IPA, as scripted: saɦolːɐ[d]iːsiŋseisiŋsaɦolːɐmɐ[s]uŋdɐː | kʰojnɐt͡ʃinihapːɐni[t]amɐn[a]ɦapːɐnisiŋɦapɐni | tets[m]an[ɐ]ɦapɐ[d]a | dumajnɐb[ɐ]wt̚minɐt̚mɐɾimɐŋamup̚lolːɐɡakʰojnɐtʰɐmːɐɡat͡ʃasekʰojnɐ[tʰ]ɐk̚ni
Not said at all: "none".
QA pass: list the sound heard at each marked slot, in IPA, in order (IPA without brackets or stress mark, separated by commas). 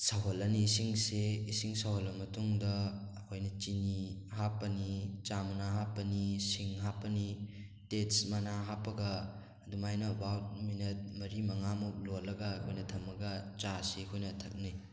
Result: n, t, t͡ʃ, a, m, a, ɡ, a, tʰ